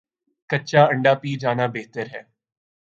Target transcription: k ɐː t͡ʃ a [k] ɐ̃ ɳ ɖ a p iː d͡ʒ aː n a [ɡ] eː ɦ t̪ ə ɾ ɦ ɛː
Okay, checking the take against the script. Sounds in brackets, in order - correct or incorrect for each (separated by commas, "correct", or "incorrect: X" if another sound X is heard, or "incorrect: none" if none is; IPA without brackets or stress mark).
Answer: incorrect: none, incorrect: b